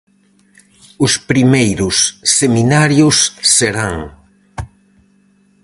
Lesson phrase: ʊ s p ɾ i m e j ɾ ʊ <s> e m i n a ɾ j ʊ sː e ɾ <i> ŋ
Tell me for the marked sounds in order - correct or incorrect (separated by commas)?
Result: incorrect, incorrect